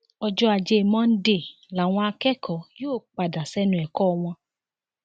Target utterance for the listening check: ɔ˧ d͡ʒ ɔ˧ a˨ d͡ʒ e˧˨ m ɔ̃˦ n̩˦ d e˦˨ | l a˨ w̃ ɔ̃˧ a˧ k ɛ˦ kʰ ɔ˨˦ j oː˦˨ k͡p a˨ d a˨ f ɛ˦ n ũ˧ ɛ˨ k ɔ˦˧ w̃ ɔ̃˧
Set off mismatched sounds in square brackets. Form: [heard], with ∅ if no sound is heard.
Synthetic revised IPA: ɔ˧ d͡ʒ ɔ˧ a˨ d͡ʒ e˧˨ m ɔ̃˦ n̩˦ d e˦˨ | l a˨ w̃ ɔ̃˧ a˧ k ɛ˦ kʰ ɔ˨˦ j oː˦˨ k͡p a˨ d a˨ [s] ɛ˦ n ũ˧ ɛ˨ k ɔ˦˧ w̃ ɔ̃˧